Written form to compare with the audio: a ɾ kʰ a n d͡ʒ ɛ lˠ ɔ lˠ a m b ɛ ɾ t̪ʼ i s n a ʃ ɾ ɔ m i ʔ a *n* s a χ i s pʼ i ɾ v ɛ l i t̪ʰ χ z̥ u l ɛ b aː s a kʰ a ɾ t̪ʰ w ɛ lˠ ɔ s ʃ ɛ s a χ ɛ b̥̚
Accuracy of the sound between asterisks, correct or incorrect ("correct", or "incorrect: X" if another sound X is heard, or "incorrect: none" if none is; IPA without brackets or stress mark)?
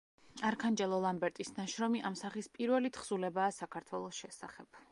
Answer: incorrect: m